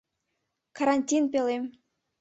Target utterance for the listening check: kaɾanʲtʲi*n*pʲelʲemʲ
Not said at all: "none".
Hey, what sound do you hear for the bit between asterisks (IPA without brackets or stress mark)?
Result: n